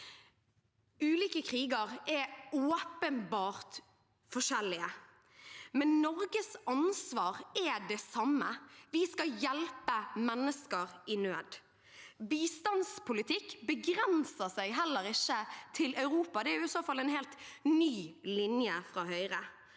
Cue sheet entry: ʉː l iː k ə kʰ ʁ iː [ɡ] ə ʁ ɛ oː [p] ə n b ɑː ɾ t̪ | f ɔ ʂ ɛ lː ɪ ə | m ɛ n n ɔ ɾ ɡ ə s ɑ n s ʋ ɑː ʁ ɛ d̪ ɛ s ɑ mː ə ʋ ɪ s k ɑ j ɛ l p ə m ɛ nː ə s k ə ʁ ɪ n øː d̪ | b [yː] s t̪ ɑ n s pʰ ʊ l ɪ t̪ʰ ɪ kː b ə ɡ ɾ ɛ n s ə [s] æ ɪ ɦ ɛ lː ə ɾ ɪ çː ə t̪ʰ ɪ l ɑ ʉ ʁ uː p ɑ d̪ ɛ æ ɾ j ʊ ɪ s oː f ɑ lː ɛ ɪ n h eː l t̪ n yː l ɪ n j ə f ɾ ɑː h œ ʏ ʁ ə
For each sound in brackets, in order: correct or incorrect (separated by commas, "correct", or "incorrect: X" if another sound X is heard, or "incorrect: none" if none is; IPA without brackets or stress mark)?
correct, correct, incorrect: iː, correct